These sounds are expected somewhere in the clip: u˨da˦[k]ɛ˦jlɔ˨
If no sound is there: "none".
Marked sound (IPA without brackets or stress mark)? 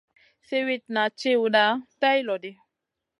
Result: t